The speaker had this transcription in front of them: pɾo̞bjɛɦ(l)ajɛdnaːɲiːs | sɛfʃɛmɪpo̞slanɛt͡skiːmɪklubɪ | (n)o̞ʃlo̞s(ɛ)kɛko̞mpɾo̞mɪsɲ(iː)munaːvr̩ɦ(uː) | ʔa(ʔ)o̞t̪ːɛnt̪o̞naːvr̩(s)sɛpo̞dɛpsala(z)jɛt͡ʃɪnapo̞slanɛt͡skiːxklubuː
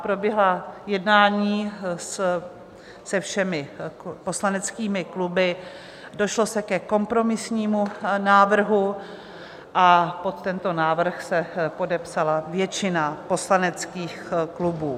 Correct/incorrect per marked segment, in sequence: correct, incorrect: d, correct, correct, incorrect: u, incorrect: p, incorrect: x, incorrect: v

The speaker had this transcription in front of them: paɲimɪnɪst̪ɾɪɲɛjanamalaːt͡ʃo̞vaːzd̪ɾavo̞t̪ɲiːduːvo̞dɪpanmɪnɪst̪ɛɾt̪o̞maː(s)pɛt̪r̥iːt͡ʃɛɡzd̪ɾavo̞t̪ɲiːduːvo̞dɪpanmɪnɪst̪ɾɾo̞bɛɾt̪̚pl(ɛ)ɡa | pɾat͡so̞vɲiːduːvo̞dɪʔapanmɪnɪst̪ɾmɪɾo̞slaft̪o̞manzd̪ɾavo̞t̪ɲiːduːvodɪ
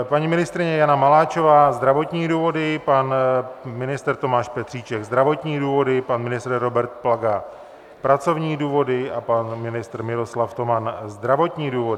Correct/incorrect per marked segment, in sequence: incorrect: ʃ, incorrect: a

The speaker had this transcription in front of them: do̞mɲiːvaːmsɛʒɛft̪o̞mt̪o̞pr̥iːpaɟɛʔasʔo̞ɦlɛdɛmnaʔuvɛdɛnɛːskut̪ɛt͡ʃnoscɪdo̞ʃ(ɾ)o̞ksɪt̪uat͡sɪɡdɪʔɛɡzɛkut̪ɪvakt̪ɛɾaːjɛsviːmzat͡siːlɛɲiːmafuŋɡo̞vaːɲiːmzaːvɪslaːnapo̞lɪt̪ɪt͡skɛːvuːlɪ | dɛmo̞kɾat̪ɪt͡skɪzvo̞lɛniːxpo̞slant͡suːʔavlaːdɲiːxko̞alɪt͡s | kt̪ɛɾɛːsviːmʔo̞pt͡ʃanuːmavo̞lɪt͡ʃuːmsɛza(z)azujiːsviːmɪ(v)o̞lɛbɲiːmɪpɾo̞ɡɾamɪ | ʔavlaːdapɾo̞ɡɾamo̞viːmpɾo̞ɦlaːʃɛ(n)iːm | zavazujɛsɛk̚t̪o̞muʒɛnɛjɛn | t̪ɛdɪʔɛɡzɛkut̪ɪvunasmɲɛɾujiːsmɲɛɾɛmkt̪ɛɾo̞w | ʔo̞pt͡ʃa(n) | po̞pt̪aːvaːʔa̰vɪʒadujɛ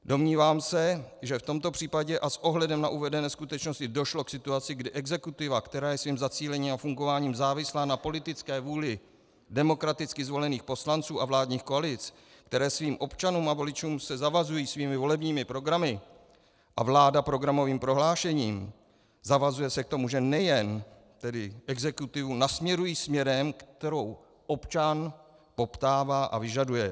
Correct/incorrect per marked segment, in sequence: incorrect: l, incorrect: v, correct, incorrect: ɲ, correct

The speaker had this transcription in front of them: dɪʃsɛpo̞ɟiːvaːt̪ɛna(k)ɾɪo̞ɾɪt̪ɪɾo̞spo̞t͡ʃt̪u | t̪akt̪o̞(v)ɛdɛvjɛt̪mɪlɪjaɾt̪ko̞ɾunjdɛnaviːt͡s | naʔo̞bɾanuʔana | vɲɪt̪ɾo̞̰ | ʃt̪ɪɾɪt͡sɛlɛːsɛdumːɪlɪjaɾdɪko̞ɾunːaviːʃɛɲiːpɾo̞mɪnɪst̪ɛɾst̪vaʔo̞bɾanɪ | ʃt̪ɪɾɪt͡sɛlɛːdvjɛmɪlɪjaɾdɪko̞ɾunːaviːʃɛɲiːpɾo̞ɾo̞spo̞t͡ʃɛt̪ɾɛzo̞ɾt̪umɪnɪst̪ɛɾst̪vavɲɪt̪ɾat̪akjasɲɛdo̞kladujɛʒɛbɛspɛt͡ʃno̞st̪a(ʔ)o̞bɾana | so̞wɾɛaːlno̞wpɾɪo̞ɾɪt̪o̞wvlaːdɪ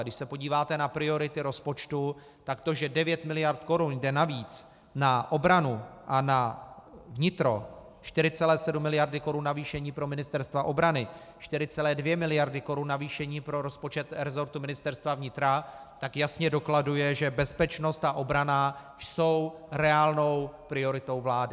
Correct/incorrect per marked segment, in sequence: incorrect: p, incorrect: ʒ, correct

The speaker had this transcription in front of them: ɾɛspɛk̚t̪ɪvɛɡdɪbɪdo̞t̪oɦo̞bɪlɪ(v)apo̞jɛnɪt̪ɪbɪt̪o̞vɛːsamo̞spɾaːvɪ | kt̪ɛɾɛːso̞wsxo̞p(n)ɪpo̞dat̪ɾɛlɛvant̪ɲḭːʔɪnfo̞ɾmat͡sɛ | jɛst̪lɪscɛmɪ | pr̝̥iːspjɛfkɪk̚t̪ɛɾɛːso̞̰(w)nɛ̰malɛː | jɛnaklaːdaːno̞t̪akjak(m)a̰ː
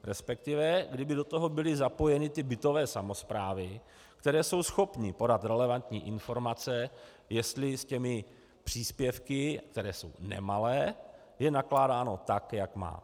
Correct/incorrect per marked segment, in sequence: incorrect: z, incorrect: ɲ, correct, correct

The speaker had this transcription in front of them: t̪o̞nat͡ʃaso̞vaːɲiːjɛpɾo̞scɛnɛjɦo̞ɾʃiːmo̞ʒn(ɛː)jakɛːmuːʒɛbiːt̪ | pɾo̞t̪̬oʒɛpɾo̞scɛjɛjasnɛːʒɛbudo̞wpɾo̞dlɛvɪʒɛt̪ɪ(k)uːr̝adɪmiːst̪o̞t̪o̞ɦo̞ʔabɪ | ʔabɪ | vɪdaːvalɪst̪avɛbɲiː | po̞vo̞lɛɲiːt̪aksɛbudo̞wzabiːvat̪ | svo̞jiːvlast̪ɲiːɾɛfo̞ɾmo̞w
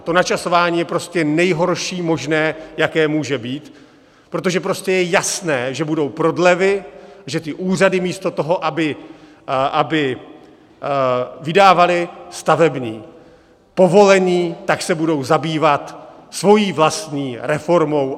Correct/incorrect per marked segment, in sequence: correct, incorrect: ʔ

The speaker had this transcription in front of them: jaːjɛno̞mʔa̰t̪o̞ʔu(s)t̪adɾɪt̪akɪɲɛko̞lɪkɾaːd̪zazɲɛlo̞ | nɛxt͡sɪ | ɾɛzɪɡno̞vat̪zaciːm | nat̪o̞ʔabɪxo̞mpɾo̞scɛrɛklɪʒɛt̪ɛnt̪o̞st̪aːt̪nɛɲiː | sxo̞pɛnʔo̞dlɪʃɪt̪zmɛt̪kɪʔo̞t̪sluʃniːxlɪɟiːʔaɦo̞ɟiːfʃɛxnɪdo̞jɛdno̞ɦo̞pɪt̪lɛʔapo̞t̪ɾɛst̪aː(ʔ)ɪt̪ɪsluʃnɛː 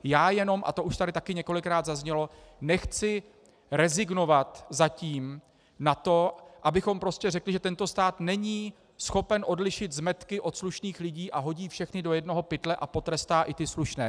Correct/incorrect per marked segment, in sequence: incorrect: ʃ, correct

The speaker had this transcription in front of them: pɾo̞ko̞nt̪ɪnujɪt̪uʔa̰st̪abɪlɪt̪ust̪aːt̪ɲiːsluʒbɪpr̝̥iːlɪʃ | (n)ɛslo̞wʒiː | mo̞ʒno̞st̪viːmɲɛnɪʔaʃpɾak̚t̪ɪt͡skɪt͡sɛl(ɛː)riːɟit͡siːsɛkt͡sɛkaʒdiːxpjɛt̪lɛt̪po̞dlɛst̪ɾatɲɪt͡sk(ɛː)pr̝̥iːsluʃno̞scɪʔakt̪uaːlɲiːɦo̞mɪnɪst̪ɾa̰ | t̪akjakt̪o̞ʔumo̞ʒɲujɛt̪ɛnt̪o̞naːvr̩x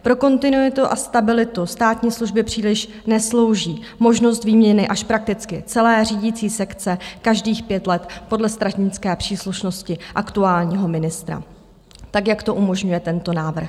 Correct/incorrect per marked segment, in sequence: correct, correct, correct

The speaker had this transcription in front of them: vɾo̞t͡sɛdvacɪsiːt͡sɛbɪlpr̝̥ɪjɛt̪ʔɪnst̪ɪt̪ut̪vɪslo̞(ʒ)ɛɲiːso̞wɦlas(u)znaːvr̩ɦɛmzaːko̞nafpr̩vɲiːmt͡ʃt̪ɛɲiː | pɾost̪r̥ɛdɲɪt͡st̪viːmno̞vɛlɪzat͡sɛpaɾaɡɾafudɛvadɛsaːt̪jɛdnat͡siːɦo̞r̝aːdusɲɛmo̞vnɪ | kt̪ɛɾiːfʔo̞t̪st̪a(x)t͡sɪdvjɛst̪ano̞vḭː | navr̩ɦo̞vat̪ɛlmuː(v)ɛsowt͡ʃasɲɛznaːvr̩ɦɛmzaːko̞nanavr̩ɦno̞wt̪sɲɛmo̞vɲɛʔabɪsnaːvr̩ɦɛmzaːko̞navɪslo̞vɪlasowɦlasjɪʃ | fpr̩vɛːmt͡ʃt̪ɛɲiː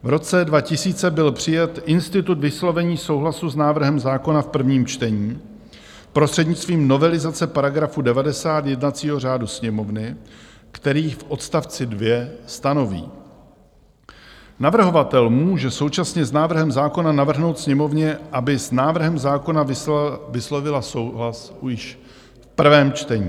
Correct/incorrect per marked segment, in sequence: incorrect: v, correct, incorrect: f, incorrect: ʒ

